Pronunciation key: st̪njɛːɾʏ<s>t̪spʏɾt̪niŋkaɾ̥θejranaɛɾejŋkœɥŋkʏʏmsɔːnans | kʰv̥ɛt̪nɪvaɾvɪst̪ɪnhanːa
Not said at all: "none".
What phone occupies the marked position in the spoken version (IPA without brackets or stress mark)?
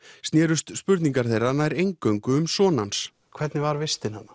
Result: s